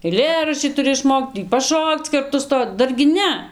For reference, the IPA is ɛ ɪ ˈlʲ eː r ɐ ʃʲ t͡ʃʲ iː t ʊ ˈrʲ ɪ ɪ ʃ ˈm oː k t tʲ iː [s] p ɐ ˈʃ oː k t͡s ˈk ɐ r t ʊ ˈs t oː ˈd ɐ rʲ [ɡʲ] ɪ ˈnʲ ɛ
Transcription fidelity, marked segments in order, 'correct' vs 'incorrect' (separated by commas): incorrect, correct